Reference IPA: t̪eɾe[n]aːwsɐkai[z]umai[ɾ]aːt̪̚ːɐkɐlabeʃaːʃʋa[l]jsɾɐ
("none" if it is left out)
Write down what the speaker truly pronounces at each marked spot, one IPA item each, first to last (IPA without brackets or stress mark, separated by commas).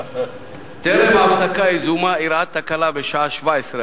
m, z, ɾ, none